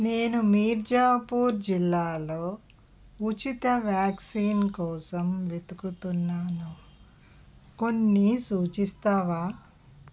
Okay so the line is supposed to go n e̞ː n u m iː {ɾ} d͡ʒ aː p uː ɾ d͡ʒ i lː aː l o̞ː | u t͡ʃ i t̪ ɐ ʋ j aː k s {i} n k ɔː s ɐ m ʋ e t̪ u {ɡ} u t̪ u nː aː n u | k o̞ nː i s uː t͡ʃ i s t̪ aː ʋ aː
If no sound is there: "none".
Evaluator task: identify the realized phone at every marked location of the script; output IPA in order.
ɾ, iː, k

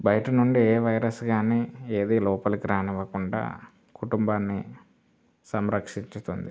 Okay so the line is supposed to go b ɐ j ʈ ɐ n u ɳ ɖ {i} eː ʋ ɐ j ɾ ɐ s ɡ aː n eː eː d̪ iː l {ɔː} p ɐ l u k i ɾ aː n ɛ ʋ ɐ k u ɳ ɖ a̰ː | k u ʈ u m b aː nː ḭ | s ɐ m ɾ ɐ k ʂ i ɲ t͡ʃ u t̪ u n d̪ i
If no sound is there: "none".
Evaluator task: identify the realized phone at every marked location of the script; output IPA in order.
i, ɔː

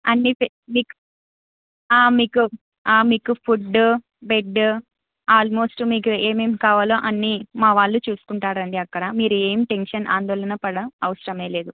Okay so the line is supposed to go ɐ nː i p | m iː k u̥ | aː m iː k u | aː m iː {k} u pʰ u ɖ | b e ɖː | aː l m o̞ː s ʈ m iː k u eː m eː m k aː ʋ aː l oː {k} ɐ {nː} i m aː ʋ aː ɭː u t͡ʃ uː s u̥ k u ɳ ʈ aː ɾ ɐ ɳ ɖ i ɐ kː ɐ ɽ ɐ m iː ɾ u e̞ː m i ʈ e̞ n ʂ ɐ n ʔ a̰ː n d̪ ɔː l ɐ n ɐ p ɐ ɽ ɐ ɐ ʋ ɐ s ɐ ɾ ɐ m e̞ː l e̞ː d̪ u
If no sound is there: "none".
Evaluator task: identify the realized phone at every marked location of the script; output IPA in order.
k, ʔ, nː

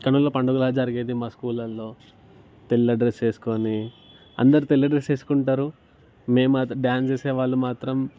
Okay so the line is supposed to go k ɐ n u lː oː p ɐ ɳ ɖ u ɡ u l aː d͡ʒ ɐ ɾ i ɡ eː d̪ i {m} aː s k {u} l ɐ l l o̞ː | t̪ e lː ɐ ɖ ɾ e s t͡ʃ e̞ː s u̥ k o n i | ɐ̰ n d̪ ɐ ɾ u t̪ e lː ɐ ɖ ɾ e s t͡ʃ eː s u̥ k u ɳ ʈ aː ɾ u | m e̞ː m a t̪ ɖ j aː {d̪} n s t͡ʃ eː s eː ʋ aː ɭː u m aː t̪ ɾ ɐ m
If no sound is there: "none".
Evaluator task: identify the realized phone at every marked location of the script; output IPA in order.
m, uː, none

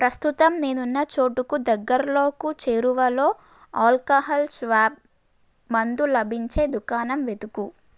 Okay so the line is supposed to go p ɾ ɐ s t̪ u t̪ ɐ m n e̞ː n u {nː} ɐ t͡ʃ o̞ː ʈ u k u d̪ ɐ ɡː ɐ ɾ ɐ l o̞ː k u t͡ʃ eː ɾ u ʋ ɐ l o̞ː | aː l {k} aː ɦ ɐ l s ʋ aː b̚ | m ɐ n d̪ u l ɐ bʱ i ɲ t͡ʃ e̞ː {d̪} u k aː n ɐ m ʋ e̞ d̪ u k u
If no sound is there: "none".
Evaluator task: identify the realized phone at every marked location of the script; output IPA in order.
nː, k, d̪

